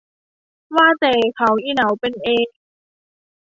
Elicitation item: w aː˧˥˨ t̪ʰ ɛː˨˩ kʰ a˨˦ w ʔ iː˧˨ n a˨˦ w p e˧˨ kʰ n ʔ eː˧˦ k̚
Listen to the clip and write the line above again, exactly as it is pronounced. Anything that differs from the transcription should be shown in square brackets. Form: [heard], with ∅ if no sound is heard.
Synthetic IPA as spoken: w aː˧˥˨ [t̪] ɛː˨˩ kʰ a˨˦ w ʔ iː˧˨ n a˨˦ w p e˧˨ [∅] n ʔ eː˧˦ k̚